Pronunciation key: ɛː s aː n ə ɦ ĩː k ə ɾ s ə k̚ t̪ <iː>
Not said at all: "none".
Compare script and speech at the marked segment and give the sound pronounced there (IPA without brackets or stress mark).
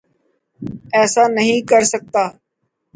aː